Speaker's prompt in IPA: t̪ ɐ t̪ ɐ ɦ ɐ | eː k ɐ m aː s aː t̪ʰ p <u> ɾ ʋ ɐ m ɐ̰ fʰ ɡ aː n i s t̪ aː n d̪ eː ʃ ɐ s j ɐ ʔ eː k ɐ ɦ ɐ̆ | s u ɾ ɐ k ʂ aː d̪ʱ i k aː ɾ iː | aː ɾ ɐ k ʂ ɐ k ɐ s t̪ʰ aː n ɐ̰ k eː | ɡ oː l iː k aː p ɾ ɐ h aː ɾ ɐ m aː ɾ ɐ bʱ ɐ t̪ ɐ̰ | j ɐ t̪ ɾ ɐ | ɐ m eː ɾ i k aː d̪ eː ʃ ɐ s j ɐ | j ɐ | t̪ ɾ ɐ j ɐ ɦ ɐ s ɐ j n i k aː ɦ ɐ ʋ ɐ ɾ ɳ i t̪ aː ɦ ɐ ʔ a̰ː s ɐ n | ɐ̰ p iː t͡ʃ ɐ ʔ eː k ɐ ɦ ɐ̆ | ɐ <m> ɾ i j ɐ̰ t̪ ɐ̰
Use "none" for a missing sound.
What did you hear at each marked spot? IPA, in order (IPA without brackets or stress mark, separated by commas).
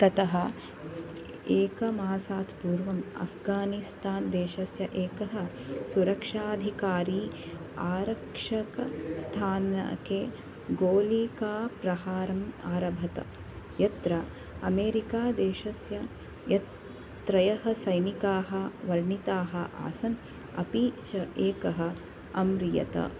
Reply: uː, m